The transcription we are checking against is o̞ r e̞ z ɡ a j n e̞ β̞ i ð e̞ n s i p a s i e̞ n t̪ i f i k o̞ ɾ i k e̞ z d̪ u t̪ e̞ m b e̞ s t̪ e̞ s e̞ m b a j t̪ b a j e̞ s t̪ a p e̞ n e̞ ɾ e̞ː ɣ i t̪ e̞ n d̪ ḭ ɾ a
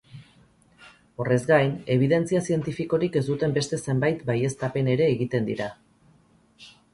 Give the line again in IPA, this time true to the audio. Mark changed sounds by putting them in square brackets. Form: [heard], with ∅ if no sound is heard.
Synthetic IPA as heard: o̞ r e̞ z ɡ a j n e̞ β̞ i ð e̞ n [t͡s] i [∅] a s i e̞ n t̪ i f i k o̞ ɾ i k e̞ z d̪ u t̪ e̞ m b e̞ s t̪ e̞ s e̞ m b a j t̪ b a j e̞ s t̪ a p e̞ n e̞ ɾ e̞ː ɣ i t̪ e̞ n d̪ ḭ ɾ a